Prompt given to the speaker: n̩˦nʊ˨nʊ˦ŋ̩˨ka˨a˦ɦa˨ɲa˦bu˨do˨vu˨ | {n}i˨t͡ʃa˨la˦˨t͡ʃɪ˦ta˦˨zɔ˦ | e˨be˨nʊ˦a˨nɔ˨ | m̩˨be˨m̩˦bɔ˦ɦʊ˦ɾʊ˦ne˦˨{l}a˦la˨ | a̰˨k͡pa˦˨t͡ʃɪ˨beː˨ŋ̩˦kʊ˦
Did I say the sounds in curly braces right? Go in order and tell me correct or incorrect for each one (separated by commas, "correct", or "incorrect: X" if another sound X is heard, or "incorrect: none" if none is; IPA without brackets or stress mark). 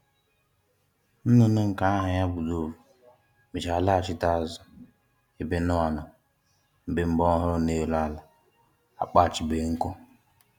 incorrect: m, correct